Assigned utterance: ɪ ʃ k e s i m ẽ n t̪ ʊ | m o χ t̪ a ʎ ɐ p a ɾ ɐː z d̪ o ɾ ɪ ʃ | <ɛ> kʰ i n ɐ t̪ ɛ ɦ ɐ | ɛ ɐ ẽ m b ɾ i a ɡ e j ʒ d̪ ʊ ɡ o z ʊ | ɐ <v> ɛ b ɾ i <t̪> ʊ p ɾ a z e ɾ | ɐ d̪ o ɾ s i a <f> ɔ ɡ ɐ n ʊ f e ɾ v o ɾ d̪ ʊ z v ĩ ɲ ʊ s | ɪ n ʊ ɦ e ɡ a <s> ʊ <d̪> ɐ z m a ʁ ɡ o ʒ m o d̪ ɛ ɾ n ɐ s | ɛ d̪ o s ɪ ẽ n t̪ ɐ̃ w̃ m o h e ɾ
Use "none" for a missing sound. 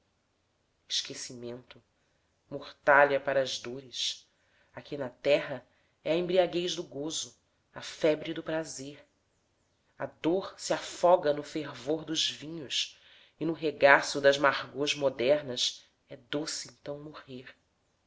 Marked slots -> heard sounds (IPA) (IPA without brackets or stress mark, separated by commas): a, f, d̪, f, s, d̪